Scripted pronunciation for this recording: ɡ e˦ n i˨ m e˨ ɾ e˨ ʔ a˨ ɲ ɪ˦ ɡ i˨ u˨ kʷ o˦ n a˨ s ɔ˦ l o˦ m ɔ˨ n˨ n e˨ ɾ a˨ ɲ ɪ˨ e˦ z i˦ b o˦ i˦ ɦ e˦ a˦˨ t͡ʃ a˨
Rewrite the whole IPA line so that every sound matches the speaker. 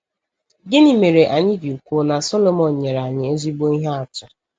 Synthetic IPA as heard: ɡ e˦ n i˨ m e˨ ɾ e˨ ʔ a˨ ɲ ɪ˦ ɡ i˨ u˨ kʷ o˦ n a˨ s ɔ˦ l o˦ m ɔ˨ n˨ ɲ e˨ ɾ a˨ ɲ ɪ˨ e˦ z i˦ b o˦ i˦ ɦ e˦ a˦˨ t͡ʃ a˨